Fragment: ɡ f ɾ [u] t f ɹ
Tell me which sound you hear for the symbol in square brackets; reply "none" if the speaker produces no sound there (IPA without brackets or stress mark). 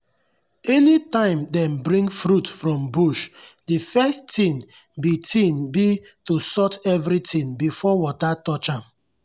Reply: u